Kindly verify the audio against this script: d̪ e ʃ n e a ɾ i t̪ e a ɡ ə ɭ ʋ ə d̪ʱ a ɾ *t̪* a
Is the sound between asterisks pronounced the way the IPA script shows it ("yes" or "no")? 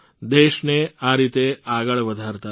yes